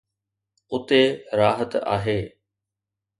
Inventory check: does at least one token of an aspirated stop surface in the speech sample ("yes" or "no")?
no